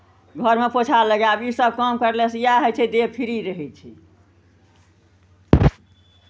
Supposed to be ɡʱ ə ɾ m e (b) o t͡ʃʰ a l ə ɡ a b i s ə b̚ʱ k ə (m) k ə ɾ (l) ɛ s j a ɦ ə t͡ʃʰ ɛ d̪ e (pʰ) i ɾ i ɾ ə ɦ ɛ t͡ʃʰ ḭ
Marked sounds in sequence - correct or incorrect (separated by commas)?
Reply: incorrect, correct, correct, correct